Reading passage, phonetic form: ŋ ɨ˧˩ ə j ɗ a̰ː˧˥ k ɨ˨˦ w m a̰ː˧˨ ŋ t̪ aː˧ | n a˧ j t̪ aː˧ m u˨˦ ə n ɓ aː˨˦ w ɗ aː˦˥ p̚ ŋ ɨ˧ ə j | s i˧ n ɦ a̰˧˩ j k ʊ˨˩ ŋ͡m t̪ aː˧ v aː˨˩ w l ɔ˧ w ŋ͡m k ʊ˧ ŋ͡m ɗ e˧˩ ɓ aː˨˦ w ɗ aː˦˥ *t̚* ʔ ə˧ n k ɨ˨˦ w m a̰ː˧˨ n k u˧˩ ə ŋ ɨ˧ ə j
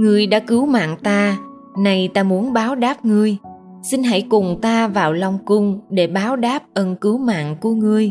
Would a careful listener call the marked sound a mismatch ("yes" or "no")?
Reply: yes